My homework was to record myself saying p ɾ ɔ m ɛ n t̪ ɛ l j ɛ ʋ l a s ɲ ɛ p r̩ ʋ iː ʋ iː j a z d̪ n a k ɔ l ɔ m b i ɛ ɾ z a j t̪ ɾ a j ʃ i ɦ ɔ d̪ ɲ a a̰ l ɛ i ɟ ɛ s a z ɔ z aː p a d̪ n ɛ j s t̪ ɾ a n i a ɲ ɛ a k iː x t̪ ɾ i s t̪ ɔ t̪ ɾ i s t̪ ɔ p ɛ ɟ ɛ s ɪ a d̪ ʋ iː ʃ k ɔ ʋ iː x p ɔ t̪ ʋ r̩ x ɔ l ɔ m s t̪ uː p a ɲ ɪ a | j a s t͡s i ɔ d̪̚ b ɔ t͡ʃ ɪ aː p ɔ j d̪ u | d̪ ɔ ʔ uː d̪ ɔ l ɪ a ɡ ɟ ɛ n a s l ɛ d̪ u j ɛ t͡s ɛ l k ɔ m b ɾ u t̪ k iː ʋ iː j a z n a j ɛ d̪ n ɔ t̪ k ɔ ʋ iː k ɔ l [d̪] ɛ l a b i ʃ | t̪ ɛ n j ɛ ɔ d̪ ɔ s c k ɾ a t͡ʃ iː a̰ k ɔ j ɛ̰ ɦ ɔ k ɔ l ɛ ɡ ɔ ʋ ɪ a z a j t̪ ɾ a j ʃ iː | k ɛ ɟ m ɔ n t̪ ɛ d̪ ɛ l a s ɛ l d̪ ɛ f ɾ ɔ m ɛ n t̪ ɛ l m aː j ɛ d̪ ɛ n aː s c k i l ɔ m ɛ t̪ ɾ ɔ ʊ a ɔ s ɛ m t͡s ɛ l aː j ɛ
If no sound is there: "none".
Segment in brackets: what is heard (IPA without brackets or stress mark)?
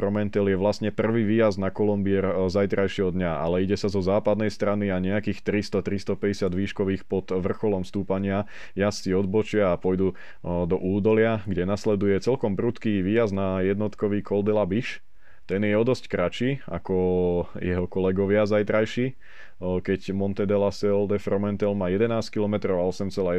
d̪